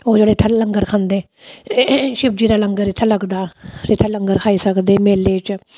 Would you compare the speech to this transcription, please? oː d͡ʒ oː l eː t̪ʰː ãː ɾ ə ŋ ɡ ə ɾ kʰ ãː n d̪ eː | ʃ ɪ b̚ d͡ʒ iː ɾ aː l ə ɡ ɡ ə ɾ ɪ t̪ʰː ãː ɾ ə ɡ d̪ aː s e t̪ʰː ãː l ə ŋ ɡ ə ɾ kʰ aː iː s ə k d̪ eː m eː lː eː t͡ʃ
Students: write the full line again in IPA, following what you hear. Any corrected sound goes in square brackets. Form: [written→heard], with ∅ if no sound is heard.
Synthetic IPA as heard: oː d͡ʒ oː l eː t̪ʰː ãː [ɾ→l] ə ŋ ɡ ə ɾ kʰ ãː n d̪ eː | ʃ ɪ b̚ d͡ʒ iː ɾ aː l ə [ɡ→ŋ] ɡ ə ɾ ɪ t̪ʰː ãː [ɾ→l] ə ɡ d̪ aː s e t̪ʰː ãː l ə ŋ ɡ ə ɾ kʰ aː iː s ə k d̪ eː m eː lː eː t͡ʃ

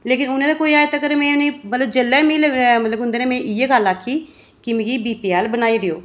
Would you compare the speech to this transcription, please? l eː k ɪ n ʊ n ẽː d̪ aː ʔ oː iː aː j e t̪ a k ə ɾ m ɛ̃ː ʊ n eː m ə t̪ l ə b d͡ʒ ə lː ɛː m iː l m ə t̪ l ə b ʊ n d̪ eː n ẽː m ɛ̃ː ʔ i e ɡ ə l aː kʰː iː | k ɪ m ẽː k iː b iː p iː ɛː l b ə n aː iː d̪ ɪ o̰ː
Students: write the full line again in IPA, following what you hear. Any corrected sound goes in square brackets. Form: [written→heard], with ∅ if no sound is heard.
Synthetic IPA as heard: l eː k ɪ n ʊ n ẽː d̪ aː [ʔ→k] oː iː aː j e t̪ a k ə ɾ m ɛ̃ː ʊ n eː m ə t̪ l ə b d͡ʒ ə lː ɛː m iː l m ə t̪ l ə b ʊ n d̪ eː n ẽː m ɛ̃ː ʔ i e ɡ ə l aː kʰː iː | k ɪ m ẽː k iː b iː p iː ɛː l b ə n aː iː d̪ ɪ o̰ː

